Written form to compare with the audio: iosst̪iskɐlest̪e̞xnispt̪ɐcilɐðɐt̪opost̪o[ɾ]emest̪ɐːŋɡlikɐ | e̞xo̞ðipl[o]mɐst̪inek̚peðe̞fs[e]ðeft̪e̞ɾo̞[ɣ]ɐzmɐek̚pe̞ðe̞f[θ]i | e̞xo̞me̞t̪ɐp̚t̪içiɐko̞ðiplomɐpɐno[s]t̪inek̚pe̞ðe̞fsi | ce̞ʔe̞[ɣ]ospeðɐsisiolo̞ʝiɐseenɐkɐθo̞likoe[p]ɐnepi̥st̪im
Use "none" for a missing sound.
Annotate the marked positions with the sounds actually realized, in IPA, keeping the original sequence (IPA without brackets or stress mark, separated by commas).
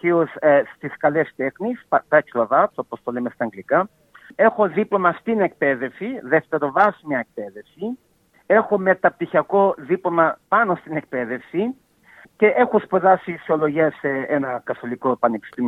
l, o, i, v, s, s, x, p